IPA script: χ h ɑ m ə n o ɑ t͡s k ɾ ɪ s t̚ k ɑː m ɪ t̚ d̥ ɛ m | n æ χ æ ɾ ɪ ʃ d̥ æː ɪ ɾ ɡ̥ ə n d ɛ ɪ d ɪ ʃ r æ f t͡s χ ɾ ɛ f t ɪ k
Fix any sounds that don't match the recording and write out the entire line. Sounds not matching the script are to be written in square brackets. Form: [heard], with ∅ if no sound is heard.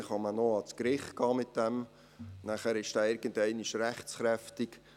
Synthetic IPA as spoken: χ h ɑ m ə n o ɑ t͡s k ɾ ɪ [χ] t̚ k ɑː m ɪ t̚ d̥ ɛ m | n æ χ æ ɾ ɪ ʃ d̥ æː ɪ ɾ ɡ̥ ə n d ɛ ɪ [n] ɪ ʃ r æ [χ] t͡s χ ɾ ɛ f t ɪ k